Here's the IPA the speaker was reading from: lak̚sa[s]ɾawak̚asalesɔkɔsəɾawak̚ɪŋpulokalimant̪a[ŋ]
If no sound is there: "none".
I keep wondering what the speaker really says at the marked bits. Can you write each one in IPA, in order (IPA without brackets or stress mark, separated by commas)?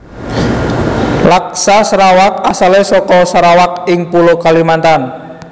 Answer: s, n